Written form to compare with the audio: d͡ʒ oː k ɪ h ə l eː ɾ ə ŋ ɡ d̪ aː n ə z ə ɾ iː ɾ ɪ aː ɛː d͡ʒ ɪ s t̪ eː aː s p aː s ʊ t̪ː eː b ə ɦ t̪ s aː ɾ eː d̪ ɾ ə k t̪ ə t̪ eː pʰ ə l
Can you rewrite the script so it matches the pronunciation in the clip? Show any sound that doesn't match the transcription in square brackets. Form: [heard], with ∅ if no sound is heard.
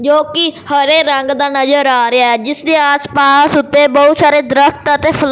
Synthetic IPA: d͡ʒ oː k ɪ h ə [ɾ] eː ɾ ə ŋ ɡ d̪ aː n ə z ə ɾ [aː] ɾ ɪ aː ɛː d͡ʒ ɪ s [d̪] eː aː s p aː s ʊ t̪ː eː b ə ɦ t̪ s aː ɾ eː d̪ ɾ ə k t̪ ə t̪ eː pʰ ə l